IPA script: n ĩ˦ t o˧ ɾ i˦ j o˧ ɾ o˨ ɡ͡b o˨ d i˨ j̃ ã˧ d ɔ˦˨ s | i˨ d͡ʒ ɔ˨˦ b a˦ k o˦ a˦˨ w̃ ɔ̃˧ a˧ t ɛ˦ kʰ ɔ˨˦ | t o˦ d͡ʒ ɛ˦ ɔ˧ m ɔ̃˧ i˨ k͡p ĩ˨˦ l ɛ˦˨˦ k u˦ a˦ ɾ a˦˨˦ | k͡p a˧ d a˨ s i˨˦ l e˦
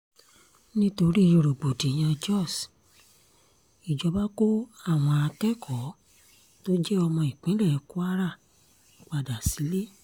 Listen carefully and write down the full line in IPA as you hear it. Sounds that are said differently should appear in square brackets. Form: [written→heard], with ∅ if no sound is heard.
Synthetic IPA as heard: n ĩ˦ t o˧ ɾ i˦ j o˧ ɾ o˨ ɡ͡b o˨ d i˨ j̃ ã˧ [d→d͡ʒ] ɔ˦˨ s | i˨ d͡ʒ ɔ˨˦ b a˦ k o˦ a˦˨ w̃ ɔ̃˧ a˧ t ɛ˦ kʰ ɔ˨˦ | t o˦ d͡ʒ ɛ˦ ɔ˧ m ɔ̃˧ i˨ k͡p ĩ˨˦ l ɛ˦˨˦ k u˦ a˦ ɾ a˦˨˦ | k͡p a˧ d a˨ s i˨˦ l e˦